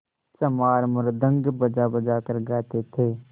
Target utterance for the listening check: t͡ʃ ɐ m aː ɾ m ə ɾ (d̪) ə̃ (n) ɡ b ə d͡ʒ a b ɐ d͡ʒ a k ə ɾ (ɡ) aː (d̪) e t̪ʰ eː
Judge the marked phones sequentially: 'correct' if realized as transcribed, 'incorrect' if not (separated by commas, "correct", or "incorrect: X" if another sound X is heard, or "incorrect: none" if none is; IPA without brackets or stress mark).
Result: correct, incorrect: ŋ, correct, incorrect: t̪